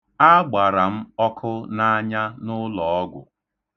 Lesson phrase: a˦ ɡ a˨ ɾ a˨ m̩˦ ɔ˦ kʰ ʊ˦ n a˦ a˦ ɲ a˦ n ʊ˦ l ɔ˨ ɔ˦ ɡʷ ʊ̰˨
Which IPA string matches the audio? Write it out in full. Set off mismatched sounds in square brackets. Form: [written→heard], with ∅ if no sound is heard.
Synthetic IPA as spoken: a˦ [ɡ→ɡ͡b] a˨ ɾ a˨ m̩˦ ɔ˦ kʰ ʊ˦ n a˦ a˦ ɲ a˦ n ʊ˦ l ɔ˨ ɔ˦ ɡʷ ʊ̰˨